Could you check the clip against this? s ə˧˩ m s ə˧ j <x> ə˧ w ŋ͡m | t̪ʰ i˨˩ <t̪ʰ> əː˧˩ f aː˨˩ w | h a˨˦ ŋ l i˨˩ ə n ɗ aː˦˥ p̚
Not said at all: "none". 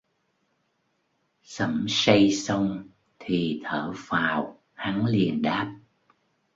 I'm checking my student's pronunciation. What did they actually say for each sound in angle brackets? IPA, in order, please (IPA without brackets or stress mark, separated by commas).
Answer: s, t̪ʰ